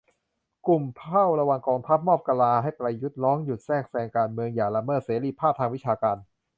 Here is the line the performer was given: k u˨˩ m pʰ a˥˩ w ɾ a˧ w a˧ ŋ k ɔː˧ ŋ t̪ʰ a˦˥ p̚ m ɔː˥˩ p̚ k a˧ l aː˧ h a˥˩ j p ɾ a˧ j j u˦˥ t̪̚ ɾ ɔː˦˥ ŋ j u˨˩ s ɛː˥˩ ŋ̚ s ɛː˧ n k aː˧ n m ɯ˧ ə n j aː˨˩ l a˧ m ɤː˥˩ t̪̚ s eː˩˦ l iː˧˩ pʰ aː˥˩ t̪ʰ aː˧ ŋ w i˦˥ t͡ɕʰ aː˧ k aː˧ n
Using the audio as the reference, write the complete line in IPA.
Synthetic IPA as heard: k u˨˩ m pʰ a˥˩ w ɾ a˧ w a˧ ŋ k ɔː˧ ŋ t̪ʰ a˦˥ p̚ m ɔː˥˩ p̚ k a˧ l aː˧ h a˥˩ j p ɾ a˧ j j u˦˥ t̪̚ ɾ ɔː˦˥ ŋ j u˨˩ s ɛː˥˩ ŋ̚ s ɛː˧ ŋ k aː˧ n m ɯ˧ ə ŋ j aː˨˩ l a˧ m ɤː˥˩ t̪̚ s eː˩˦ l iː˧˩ pʰ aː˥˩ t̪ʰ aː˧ ŋ w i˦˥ t͡ɕʰ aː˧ k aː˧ n